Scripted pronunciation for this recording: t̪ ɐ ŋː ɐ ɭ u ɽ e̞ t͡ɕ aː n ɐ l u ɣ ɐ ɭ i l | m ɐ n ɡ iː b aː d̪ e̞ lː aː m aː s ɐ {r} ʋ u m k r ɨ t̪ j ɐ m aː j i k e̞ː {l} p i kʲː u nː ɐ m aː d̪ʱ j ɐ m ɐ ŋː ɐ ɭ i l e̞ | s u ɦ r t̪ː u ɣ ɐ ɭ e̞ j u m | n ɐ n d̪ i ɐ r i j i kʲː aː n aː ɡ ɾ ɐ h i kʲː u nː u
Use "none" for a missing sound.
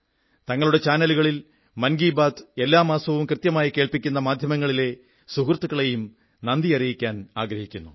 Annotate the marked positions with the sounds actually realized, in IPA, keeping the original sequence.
none, ɭ

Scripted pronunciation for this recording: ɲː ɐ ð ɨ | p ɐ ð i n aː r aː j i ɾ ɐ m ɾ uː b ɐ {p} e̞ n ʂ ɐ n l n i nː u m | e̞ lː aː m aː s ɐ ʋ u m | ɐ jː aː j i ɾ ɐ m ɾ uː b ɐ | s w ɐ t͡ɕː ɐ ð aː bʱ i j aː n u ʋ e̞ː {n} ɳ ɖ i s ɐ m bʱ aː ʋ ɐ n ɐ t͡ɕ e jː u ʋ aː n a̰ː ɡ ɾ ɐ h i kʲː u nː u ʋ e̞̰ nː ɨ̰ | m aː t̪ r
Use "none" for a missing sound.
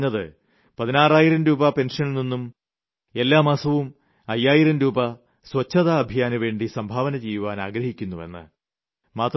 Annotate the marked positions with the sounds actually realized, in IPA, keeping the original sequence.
p, none

